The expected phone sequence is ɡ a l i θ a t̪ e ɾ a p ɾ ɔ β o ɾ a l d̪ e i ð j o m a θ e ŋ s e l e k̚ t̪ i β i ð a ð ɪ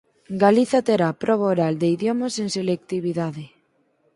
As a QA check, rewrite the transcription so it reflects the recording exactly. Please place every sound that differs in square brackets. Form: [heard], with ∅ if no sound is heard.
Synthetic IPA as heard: ɡ a l i θ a t̪ e ɾ a p ɾ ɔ β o ɾ a l d̪ e i ð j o m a [s] e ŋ s e l e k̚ t̪ i β i ð a ð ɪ